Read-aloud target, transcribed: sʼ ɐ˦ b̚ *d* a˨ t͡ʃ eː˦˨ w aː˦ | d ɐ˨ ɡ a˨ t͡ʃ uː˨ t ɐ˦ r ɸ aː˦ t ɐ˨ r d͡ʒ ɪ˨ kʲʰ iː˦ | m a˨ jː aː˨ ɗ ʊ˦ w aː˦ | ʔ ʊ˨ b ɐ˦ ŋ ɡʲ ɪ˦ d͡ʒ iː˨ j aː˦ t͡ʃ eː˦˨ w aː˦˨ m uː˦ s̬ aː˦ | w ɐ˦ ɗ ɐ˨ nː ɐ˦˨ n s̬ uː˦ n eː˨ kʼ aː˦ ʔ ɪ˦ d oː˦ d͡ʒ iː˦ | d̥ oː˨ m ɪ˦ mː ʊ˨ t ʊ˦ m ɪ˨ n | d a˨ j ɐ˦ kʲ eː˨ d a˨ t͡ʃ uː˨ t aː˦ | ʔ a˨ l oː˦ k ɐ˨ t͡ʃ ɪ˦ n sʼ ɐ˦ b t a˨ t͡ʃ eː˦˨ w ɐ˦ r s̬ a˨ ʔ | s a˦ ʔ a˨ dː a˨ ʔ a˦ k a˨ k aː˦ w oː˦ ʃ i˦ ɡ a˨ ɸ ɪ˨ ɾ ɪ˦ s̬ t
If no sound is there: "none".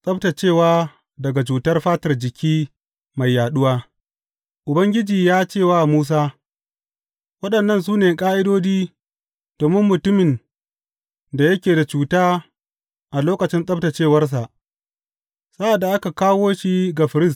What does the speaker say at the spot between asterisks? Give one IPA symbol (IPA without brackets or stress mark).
t